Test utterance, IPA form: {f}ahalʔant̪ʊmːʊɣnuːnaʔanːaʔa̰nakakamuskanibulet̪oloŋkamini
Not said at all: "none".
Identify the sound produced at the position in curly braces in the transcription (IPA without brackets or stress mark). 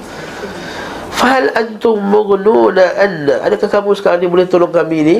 f